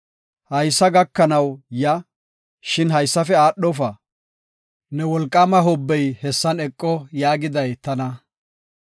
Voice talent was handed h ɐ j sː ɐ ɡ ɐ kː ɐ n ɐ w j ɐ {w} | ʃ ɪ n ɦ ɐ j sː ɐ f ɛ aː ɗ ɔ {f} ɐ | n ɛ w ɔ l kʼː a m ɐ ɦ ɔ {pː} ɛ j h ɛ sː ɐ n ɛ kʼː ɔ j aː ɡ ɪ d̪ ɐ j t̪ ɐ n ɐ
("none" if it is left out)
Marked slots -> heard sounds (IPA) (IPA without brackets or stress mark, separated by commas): none, f, bː